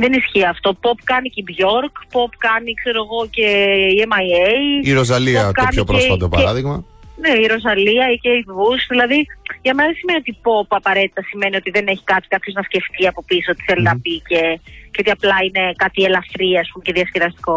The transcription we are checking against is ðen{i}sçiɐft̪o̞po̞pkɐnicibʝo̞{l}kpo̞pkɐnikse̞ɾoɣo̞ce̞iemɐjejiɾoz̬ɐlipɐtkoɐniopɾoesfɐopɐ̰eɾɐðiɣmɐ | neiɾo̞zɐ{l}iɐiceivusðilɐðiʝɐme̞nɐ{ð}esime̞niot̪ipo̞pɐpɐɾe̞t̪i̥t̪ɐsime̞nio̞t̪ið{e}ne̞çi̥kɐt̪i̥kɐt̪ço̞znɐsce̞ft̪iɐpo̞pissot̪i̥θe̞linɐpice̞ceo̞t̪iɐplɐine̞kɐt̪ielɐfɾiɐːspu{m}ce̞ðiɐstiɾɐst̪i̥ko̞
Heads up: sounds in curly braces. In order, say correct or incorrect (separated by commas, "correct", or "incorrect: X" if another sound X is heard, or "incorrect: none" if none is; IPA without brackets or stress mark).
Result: correct, incorrect: ɾ, correct, correct, correct, correct